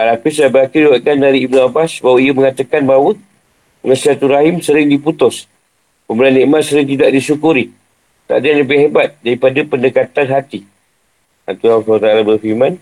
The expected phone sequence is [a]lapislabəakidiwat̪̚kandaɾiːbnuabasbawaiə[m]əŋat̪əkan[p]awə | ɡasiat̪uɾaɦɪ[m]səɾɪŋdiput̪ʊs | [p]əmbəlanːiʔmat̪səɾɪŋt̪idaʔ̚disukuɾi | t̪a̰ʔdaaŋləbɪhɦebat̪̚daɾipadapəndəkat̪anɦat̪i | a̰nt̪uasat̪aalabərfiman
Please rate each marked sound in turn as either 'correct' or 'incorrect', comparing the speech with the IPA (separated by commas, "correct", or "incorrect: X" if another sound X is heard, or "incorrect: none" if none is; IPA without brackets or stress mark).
correct, correct, incorrect: b, correct, correct